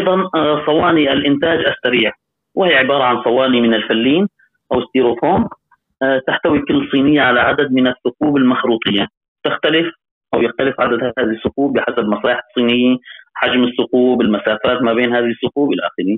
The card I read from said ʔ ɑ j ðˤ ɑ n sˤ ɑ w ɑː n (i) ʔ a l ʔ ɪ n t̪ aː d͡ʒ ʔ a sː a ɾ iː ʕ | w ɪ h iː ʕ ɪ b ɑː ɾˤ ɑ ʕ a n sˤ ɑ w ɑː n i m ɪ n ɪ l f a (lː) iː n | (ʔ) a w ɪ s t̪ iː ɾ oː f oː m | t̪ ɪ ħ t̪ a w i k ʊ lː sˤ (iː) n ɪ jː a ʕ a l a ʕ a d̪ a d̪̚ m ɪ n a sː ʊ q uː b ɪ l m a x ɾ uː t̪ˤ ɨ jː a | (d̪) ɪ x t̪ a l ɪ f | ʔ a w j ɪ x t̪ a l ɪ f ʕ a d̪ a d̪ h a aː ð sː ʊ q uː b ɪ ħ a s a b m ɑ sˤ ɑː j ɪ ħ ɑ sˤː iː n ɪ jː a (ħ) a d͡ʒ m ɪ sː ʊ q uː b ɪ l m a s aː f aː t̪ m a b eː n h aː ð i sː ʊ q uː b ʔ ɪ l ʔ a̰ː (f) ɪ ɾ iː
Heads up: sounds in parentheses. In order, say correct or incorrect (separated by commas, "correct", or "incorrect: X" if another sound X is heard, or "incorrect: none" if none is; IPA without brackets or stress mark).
correct, correct, correct, correct, incorrect: t̪, correct, incorrect: x